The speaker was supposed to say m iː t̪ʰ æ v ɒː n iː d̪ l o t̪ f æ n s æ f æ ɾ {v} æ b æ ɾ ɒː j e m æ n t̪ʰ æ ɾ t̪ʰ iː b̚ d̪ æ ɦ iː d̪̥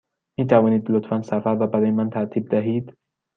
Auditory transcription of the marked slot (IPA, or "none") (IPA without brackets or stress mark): v